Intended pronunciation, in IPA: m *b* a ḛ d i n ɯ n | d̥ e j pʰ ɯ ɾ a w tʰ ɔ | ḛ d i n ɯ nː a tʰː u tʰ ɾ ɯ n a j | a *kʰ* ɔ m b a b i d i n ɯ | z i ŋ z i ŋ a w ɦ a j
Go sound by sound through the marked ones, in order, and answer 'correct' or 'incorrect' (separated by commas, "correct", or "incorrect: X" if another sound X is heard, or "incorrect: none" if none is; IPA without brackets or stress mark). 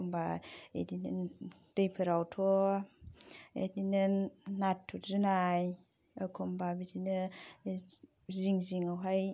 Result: correct, correct